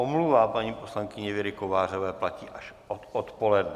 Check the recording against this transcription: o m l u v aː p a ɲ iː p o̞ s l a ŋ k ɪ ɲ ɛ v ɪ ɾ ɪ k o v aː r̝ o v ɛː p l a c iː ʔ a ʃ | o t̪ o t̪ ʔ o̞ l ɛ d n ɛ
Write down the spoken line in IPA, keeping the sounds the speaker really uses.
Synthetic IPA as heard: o m l u v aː p a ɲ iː p o̞ s l a ŋ k ɪ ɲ ɛ v ɪ ɾ ɪ k o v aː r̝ o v ɛː p l a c iː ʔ a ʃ | o t̪ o t̪ p o̞ l ɛ d n ɛ